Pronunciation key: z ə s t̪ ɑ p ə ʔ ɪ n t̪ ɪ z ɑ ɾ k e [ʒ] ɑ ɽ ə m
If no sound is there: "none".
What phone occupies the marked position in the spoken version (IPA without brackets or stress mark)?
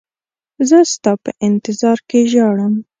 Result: ʒ